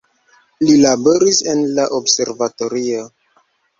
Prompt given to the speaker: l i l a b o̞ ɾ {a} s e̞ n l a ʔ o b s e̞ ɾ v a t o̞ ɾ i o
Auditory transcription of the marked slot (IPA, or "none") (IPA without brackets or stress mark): i